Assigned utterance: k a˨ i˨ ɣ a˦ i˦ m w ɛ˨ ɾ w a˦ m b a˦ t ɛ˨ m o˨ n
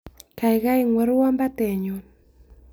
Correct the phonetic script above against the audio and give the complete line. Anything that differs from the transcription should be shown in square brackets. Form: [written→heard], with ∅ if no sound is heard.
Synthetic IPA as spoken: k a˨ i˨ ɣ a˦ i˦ [m→ŋ] w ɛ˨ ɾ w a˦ m b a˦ t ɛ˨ [m→ɲ] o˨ n